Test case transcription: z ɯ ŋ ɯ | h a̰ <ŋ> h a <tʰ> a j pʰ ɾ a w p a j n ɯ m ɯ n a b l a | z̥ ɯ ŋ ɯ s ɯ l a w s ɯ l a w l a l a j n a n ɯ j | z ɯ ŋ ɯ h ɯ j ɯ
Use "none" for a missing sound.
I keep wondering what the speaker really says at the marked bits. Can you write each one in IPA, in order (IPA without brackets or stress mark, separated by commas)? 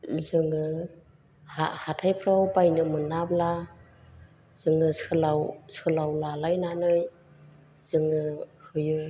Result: none, tʰ